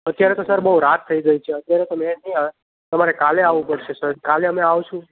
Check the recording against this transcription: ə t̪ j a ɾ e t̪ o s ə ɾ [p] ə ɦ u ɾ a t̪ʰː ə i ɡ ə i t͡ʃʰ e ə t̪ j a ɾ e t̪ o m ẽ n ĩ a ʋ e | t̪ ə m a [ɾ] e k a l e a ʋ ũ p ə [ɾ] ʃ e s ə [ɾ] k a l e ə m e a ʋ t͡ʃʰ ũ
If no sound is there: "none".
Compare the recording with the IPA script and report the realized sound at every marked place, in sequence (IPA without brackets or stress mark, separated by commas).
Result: b, ɾ, ɽ, ɾ